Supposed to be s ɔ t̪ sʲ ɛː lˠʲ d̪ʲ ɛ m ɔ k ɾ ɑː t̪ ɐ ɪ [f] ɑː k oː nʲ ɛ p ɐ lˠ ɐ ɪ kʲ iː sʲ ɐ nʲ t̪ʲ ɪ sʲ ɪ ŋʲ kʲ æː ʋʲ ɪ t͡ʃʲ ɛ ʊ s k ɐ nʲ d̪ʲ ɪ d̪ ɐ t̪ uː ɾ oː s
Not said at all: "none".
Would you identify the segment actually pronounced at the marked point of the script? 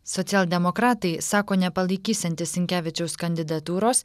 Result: s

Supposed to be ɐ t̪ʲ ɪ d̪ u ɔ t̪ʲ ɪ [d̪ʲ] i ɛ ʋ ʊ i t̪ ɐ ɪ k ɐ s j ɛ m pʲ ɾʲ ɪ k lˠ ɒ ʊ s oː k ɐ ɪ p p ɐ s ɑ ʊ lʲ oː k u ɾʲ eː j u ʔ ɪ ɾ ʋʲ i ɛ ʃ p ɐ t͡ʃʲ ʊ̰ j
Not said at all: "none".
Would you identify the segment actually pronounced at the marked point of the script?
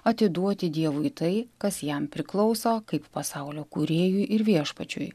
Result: d̪ʲ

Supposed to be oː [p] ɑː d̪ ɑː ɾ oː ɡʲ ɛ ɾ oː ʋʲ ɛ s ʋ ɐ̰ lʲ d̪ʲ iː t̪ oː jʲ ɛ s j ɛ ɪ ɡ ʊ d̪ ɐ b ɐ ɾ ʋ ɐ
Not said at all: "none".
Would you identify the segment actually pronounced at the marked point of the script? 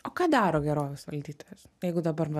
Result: k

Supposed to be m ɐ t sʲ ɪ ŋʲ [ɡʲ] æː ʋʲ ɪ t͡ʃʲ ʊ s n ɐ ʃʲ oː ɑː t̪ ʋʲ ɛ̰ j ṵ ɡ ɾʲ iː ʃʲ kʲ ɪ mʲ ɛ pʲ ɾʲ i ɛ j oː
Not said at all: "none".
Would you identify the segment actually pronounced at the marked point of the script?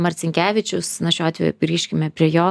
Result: kʲ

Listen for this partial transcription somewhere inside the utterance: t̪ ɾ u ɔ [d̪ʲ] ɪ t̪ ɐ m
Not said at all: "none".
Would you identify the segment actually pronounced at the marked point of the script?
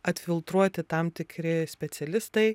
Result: t̪ʲ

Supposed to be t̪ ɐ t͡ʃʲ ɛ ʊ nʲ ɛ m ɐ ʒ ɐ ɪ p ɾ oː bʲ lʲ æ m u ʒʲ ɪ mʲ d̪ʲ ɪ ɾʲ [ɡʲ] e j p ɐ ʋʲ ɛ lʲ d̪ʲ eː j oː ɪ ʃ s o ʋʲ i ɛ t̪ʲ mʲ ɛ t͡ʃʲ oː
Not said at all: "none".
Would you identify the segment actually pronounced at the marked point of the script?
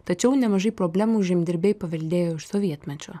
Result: bʲ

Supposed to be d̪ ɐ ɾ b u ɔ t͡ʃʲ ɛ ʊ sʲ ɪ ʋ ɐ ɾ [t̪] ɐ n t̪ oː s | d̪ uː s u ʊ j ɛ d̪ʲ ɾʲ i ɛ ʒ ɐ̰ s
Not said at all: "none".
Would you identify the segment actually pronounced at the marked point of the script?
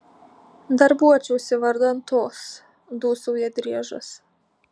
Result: d̪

